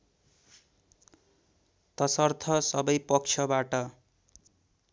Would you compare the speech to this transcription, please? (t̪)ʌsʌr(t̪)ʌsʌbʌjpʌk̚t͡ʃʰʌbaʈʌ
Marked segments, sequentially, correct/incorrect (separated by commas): correct, incorrect